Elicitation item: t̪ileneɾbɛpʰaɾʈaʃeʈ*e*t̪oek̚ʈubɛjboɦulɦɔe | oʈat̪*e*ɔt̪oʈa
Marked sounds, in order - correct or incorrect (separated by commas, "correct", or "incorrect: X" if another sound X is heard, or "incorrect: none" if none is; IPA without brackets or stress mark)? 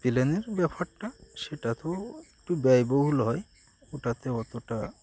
incorrect: a, correct